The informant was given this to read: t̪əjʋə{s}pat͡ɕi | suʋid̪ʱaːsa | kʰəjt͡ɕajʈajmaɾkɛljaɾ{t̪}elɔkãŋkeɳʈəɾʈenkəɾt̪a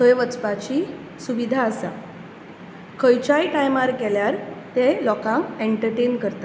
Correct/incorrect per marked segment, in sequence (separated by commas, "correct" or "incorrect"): incorrect, correct